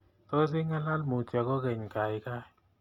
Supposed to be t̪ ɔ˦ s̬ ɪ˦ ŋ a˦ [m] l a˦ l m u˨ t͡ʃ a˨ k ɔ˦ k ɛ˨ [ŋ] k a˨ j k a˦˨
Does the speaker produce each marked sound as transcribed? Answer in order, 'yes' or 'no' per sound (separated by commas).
no, no